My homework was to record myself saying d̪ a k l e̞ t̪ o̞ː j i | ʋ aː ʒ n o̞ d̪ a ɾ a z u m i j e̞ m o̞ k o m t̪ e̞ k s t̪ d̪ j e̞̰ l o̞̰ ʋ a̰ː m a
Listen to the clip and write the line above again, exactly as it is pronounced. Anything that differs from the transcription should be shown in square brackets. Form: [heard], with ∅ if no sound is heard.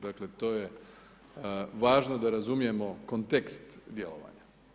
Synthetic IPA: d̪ a k l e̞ t̪ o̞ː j [e] | ʋ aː ʒ n o̞ d̪ a ɾ a z u m i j e̞ m o̞ k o [n] t̪ e̞ k s t̪ d̪ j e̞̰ l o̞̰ ʋ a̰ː [ɲ] a